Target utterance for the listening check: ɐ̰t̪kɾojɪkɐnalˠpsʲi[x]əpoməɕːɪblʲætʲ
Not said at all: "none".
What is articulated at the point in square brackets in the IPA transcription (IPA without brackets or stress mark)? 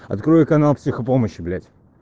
x